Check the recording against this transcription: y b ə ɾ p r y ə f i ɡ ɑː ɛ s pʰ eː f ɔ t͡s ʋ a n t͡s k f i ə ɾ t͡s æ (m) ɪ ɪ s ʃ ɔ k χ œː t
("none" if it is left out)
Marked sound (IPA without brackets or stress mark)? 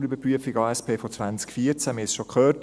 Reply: m